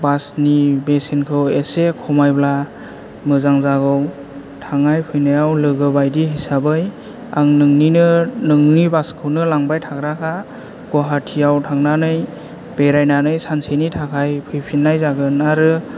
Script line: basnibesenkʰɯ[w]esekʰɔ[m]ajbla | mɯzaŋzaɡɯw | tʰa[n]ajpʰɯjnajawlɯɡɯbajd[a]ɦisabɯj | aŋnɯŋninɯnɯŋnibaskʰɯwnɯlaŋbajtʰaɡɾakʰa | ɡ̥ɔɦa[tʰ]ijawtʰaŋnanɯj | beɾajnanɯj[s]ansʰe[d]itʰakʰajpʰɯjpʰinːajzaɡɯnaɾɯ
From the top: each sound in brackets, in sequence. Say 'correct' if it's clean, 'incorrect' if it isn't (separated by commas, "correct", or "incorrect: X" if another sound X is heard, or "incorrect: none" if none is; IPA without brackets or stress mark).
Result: correct, correct, incorrect: ŋ, incorrect: i, correct, correct, incorrect: n